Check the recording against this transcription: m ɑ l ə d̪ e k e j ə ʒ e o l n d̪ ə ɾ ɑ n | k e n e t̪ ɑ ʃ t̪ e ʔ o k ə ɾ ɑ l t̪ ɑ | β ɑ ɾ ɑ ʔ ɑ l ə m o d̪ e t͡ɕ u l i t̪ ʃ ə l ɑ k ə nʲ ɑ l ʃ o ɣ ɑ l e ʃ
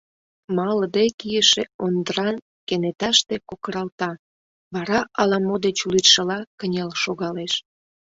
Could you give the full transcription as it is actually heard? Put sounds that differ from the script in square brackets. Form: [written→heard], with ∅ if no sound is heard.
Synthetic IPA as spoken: m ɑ l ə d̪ e k [e→i] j ə [ʒ→ʃ] e o [l→∅] n d̪ ə ɾ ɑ n | k e n e t̪ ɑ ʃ t̪ e [ʔ→k] o k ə ɾ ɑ l t̪ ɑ | β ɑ ɾ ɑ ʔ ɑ l [ə→ɑ] m o d̪ e t͡ɕ u l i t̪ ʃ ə l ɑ k ə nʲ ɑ l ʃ o ɣ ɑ l e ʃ